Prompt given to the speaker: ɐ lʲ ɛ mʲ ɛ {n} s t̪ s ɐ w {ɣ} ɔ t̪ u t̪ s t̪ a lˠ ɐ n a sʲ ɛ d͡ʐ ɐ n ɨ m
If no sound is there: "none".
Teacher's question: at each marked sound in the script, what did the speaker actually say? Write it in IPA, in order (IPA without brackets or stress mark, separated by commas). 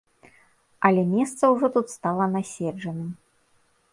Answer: none, ʐ